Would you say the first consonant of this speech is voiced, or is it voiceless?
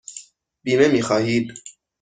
voiced